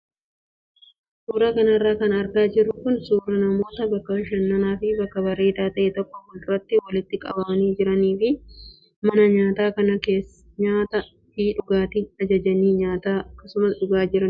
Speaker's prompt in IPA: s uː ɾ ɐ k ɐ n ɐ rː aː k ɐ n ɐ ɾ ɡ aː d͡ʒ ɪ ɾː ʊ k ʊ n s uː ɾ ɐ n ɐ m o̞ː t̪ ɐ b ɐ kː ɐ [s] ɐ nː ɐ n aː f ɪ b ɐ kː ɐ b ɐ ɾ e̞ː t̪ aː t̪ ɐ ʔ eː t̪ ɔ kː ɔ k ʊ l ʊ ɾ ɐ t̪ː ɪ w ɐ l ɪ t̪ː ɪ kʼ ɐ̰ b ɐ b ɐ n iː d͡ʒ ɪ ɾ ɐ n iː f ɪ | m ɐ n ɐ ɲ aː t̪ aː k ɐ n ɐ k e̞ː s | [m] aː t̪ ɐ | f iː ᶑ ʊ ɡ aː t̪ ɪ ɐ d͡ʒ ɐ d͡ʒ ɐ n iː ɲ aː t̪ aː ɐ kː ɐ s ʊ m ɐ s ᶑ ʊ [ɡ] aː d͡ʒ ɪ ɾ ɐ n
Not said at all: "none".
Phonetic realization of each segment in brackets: ʃ, ɲ, ɡ

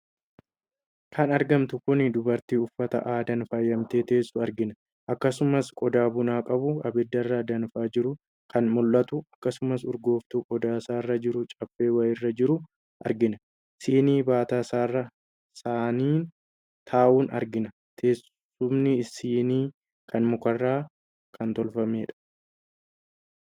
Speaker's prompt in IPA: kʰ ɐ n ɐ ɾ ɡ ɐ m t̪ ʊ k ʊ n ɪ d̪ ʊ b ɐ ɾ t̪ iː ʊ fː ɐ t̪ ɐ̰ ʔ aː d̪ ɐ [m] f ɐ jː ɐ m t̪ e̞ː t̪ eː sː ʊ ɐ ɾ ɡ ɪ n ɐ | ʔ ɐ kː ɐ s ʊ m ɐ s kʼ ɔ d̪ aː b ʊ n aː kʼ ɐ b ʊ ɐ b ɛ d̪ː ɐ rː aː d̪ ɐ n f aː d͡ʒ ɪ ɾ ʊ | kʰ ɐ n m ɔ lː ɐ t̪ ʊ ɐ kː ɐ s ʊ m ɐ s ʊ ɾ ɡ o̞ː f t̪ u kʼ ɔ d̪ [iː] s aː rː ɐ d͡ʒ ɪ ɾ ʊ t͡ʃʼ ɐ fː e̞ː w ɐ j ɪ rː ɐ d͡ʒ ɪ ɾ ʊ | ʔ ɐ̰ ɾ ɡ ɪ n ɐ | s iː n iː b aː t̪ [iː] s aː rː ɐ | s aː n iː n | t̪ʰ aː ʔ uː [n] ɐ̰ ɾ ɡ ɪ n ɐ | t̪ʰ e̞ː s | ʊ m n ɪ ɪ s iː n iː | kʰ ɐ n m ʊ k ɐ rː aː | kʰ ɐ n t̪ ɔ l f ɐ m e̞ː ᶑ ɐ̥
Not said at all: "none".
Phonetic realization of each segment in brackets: n, aː, aː, n

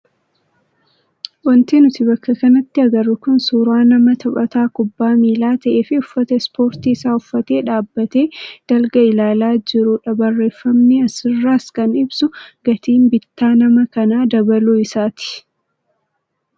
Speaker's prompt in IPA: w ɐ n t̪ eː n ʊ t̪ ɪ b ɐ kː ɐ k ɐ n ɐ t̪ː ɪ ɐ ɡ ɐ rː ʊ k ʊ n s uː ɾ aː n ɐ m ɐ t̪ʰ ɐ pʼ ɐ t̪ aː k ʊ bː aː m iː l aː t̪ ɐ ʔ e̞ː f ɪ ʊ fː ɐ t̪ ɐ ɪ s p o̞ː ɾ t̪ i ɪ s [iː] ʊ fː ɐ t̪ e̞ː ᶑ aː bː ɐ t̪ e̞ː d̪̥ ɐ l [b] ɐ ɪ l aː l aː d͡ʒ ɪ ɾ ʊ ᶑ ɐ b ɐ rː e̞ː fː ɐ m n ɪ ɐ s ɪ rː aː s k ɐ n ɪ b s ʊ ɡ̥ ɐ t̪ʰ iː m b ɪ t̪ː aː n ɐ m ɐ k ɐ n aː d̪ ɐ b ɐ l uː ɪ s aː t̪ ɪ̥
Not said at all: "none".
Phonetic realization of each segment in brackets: aː, ɡ

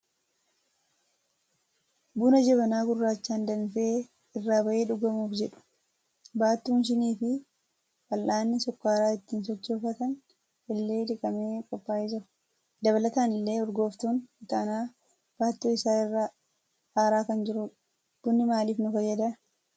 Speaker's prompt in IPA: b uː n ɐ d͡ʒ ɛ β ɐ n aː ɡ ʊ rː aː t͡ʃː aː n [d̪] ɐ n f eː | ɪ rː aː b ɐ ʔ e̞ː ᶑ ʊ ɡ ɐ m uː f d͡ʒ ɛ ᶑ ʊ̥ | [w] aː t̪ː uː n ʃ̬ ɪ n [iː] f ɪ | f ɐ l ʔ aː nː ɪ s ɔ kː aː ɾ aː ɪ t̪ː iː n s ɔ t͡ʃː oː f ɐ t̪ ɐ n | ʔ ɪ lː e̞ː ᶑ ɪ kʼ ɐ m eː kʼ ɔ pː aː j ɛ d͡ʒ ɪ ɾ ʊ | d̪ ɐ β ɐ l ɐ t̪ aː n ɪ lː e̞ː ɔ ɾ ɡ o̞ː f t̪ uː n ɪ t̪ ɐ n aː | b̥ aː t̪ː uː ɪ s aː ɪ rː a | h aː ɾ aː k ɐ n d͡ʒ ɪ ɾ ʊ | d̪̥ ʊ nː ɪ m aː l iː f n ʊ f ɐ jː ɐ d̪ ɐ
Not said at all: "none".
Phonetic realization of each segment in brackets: d̪, b, iː

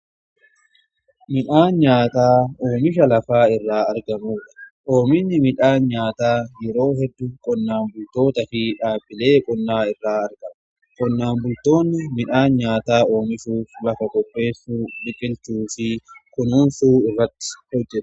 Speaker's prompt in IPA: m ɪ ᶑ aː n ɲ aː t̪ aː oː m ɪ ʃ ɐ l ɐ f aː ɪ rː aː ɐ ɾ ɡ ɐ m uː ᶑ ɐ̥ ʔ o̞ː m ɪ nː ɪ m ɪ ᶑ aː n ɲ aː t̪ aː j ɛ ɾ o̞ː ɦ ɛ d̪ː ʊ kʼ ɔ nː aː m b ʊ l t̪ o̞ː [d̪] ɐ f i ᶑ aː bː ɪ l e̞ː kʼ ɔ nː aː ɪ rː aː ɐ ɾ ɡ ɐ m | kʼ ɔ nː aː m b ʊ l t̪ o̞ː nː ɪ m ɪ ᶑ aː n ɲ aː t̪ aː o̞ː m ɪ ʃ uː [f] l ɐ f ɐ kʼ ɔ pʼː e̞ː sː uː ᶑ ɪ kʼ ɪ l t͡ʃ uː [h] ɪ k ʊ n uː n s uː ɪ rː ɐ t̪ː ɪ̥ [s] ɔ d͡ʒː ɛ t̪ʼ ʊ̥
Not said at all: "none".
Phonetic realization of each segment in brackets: t̪, f, f, h

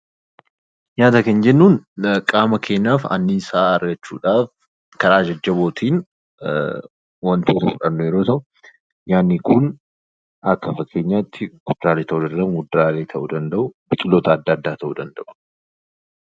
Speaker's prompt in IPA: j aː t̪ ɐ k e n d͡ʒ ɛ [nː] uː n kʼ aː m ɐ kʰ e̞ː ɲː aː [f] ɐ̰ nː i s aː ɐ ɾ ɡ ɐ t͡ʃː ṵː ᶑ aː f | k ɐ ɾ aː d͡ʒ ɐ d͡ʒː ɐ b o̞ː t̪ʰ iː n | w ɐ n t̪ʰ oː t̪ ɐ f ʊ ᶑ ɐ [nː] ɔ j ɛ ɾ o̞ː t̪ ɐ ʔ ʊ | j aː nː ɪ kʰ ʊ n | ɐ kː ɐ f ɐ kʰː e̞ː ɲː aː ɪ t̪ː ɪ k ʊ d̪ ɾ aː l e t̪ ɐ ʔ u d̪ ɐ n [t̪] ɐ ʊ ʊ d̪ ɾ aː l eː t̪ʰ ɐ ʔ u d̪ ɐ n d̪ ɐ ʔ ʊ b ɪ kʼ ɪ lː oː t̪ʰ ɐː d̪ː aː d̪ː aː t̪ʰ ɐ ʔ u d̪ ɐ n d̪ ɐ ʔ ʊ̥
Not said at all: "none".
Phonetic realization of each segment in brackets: nː, f, nː, d̪

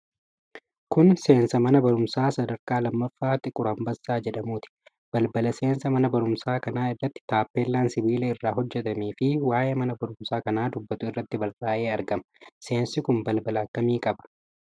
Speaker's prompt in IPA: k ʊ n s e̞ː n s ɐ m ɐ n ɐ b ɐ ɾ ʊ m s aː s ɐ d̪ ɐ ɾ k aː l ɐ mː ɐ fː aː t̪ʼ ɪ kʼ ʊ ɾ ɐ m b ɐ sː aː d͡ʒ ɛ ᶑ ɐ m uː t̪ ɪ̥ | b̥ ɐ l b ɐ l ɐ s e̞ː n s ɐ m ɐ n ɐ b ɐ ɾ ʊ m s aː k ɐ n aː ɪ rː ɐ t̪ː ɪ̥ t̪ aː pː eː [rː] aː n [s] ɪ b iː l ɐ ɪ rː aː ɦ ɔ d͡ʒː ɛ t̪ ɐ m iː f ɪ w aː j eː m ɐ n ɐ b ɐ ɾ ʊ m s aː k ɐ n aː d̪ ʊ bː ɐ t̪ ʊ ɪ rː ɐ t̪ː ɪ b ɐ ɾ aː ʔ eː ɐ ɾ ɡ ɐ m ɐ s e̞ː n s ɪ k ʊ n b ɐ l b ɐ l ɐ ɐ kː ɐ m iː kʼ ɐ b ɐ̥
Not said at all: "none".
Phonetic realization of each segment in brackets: lː, s

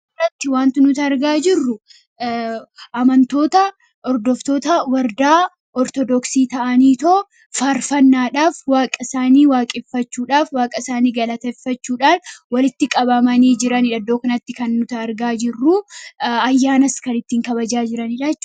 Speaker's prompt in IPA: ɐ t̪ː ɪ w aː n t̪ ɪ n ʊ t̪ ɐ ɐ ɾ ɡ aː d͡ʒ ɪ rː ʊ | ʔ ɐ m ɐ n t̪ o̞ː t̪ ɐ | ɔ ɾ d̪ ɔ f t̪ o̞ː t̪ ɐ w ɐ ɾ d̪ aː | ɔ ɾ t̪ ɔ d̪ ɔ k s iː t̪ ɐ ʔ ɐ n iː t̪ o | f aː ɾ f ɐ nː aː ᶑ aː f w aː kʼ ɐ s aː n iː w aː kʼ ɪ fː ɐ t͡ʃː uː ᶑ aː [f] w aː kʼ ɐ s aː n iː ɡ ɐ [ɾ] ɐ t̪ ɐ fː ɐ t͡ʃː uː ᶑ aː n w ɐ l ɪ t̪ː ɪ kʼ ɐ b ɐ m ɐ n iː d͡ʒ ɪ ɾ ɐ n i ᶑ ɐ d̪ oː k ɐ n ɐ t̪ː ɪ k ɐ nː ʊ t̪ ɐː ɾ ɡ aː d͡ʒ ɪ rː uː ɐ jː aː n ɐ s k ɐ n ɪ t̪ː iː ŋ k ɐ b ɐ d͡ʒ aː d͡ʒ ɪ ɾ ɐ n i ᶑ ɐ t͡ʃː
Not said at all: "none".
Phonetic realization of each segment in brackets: f, l

